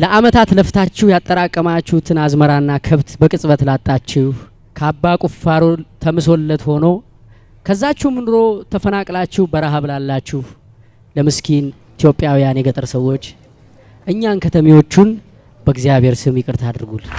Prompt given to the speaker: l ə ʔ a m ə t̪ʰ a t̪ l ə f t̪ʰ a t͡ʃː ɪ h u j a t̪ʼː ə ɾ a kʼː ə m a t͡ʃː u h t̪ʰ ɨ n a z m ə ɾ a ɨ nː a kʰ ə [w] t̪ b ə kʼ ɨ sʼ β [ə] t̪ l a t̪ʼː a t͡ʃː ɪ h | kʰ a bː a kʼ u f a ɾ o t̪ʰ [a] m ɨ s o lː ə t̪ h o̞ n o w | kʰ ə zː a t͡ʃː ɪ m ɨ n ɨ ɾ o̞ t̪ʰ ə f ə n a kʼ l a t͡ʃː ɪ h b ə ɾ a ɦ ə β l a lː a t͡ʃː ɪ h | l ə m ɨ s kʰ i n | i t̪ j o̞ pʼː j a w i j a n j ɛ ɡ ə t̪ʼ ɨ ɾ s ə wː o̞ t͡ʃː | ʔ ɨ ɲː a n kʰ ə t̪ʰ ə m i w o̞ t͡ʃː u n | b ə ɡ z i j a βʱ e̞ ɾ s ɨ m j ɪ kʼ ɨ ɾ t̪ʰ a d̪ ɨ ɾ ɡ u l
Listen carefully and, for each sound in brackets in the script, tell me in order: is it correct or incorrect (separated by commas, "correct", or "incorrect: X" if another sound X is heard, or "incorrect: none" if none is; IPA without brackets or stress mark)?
incorrect: β, correct, incorrect: ə